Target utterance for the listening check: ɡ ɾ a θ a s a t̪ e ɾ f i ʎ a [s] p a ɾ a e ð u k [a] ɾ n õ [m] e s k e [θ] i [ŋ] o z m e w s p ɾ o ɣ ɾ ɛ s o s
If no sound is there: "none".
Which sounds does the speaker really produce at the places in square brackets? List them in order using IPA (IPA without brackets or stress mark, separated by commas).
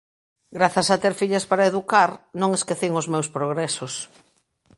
s, a, ŋ, θ, ŋ